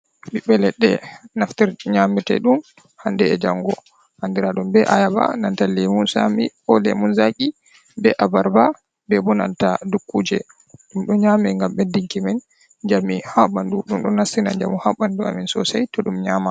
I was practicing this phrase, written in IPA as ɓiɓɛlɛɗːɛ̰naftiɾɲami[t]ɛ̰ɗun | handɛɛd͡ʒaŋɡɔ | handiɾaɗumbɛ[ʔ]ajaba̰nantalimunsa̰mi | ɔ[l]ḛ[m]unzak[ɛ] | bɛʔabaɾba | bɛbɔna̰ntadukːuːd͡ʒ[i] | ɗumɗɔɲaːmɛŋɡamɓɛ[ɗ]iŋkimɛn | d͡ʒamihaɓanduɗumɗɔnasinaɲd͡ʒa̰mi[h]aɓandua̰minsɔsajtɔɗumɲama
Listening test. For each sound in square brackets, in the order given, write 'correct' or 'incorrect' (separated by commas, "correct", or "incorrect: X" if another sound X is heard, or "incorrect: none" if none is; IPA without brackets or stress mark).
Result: correct, correct, correct, correct, incorrect: i, incorrect: ɛ, incorrect: d, correct